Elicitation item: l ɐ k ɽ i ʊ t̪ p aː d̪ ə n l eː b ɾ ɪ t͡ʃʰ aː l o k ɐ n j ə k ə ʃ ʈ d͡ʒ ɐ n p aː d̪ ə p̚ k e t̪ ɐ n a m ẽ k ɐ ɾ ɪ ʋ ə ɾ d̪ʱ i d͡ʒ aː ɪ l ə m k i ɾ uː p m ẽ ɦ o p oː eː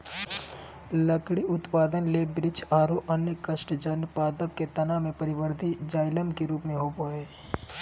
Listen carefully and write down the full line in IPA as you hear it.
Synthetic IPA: l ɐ k ɽ i ʊ t̪ p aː d̪ ə n l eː b ɾ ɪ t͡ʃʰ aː ɾ o ʔ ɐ n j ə k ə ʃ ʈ d͡ʒ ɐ n p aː d̪ ə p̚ k e t̪ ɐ n a m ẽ p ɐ ɾ ɪ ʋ ə ɾ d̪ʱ i d͡ʒ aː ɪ l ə m k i ɾ uː p m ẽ ɦ o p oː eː